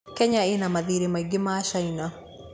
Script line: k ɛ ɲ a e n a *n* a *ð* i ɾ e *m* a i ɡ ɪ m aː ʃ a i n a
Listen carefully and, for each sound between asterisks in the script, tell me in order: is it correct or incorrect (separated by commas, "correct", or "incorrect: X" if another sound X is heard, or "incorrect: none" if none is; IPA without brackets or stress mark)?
incorrect: m, correct, correct